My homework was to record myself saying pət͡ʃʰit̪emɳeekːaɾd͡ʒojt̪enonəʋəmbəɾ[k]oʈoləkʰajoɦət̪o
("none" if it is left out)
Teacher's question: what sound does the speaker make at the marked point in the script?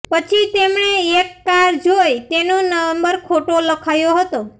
kʰ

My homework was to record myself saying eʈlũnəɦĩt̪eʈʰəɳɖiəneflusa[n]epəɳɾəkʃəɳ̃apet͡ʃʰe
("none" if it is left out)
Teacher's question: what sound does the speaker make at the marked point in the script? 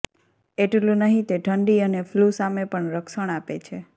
m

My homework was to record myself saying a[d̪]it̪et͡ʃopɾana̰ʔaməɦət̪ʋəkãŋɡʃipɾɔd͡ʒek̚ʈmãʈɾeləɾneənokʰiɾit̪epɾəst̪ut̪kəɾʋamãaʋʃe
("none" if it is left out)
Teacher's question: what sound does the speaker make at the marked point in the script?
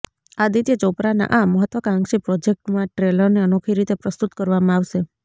d̪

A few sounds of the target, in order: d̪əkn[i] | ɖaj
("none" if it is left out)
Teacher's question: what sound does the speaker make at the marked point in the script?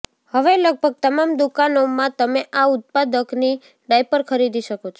i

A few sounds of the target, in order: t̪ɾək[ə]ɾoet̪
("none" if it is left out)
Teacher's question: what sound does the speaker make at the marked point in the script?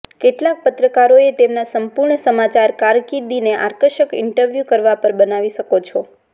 a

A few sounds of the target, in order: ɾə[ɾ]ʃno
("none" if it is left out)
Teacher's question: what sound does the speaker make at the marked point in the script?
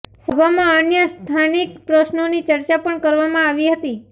none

